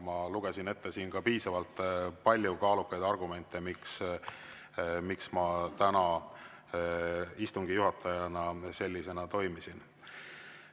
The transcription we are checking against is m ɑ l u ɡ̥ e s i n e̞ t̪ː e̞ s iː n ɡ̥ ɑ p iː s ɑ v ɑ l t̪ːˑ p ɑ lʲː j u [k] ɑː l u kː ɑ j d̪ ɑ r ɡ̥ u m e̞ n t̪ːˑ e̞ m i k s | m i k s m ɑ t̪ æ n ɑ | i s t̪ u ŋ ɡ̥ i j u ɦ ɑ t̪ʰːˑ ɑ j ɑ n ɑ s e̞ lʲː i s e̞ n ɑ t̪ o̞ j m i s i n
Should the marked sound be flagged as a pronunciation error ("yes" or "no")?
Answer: no